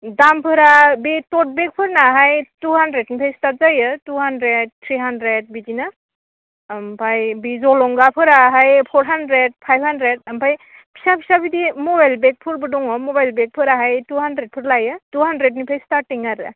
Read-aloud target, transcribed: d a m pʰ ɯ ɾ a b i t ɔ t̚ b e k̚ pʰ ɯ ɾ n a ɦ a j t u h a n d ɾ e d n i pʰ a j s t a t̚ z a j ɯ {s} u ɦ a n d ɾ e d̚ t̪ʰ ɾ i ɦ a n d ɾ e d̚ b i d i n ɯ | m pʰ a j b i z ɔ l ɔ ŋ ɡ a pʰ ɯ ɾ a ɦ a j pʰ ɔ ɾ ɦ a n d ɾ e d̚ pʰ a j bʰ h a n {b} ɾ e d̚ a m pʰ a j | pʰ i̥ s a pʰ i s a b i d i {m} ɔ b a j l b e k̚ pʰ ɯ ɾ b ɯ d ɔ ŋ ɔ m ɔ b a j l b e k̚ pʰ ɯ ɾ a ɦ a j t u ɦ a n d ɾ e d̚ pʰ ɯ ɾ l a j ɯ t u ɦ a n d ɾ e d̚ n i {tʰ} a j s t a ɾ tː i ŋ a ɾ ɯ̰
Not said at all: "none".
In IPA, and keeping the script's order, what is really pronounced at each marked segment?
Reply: t, d, m, pʰ

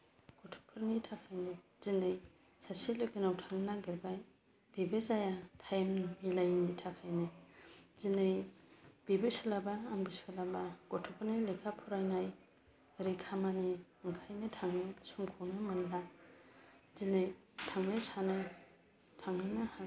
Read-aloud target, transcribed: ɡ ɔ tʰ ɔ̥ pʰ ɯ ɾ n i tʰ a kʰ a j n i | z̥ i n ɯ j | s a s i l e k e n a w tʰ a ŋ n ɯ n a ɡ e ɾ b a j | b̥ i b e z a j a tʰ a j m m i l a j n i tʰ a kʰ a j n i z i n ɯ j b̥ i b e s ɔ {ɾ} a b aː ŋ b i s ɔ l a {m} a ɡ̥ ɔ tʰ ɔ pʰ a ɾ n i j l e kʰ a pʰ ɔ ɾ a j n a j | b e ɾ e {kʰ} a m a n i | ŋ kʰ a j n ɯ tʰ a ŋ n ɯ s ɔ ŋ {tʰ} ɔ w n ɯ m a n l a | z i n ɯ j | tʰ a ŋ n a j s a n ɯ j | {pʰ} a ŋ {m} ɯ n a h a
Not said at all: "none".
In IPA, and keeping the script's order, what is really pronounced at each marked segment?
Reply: l, b, kʰ, kʰ, tʰ, n

